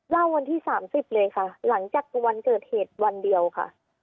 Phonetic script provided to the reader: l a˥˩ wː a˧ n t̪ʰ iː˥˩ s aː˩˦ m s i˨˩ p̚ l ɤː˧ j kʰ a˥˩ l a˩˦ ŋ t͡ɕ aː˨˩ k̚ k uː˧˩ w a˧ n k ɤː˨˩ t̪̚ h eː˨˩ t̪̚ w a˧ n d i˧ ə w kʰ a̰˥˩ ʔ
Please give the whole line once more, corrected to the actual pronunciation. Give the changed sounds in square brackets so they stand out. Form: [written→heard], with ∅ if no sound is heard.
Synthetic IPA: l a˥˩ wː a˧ n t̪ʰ iː˥˩ s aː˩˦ m s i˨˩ p̚ l ɤː˧ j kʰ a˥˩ l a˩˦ ŋ t͡ɕ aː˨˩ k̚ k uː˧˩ w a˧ n k ɤː˨˩ t̪̚ h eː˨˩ t̪̚ w a˧ n d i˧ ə w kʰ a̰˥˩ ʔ